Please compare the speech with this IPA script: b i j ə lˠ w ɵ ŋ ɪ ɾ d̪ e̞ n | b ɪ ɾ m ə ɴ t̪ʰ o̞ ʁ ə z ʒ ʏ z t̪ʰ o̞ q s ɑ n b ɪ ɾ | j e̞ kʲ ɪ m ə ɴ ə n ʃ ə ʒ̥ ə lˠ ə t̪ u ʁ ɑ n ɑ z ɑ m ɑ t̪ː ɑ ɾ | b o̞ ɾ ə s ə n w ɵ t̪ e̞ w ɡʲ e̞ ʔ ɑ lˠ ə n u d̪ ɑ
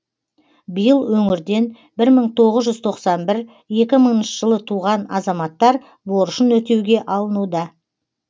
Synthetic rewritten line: b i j ə lˠ w ɵ ŋ ɪ ɾ d̪ e̞ n | b ɪ ɾ m ə ɴ t̪ʰ o̞ ʁ ə z ʒ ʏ z t̪ʰ o̞ q s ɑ n b ɪ ɾ | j e̞ kʲ ɪ m ə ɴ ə n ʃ ə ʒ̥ ə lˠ ə t̪ʰ u ʁ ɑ n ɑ z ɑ m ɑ t̪ː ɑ ɾ | b o̞ ɾ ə ʃ ə n w ɵ t̪ e̞ w ɡʲ e̞ ʔ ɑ lˠ ə n u d̪ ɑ